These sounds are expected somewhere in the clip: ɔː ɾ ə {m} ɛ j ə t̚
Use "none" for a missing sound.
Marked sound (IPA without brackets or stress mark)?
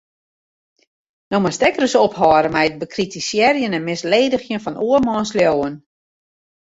m